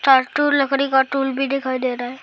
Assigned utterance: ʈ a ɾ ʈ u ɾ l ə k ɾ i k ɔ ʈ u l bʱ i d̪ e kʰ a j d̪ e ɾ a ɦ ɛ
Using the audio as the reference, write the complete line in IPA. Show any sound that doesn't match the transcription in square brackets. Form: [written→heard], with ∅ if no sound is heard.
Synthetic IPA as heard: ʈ a ɾ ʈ u ɾ l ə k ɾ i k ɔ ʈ u l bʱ i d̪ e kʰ a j d̪ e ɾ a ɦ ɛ